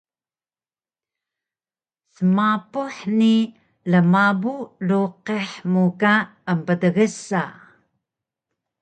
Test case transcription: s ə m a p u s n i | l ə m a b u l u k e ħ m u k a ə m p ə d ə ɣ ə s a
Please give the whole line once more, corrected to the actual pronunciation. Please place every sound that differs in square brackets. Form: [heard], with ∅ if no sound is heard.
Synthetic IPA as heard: s ə m a p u [ħ] n i | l ə m a b u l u [q] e ħ m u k a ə m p ə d ə ɣ ə s a